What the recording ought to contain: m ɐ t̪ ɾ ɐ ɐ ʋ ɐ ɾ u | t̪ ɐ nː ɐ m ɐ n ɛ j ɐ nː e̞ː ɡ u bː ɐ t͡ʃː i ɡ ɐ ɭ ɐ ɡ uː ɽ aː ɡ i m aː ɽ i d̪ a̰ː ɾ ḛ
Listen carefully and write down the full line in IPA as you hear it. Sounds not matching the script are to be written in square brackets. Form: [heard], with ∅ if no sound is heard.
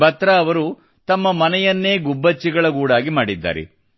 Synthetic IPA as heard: [b] ɐ t̪ ɾ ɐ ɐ ʋ ɐ ɾ u | t̪ ɐ [mː] ɐ m ɐ n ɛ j ɐ nː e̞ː ɡ u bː ɐ t͡ʃː i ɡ ɐ ɭ ɐ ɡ uː ɽ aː ɡ i m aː ɽ i [d̪ː] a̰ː ɾ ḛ